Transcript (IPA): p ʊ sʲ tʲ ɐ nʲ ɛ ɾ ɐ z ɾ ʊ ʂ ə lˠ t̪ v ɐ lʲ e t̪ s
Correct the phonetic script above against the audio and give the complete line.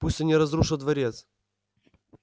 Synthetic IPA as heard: p u sʲ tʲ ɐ nʲ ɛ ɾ ɐ z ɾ u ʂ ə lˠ d̪ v ɐ ɾʲ e t̪ s